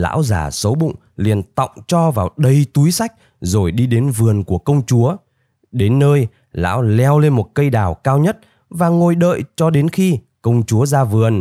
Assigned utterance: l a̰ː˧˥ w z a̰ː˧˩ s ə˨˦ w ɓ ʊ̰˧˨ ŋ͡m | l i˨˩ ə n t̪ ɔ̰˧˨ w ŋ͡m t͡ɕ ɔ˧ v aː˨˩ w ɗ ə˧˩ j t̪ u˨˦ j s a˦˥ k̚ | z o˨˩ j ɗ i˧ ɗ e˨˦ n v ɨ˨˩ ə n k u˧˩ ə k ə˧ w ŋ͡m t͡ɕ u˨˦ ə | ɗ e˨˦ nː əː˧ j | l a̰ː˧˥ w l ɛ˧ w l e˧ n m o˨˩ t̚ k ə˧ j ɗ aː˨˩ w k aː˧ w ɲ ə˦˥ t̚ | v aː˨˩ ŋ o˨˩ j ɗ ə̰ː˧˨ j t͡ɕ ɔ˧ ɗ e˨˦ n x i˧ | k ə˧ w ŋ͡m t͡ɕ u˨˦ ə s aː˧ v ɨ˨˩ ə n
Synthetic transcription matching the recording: l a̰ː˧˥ w z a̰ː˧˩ s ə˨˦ w ɓ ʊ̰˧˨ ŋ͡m | l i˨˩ ə n t̪ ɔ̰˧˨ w ŋ͡m t͡ɕ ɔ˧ v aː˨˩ w ɗ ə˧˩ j t̪ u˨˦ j s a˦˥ k̚ | z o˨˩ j ɗ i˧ ɗ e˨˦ n v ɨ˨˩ ə n k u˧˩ ə k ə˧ w ŋ͡m t͡ɕ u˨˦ ə | ɗ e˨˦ nː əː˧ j | l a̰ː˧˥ w l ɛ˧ w l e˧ n m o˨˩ t̚ k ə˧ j ɗ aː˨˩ w k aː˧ w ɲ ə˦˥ t̚ | v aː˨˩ ŋ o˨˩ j ɗ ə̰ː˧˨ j t͡ɕ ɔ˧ ɗ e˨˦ n x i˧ | k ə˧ w ŋ͡m t͡ɕ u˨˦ ə z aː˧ v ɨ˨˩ ə n